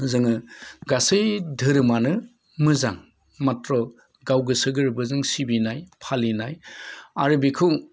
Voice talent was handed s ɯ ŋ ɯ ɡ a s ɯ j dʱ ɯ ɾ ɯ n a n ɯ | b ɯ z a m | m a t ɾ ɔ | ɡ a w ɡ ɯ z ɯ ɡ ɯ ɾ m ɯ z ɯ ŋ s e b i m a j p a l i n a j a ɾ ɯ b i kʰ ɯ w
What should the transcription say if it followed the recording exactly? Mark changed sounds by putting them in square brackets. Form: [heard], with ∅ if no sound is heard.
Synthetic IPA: [z] ɯ ŋ ɯ ɡ a s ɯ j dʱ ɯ ɾ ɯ [m] a n ɯ | [m] ɯ z a [ŋ] | m a t ɾ ɔ | ɡ a w ɡ ɯ [s] ɯ ɡ ɯ ɾ [b] ɯ z ɯ ŋ s [i] b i [n] a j [pʰ] a l i n a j a ɾ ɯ b i kʰ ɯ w